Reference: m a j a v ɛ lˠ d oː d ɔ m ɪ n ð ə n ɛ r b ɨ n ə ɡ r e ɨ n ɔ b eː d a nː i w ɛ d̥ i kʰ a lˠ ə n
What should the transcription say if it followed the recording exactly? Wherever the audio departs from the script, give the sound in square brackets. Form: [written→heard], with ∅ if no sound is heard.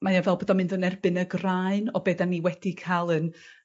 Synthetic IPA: m a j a v ɛ lˠ [d→b] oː d ɔ m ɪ n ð ə n ɛ r b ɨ n ə ɡ r [e→a] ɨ n ɔ b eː d a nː i w ɛ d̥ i kʰ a lˠ ə n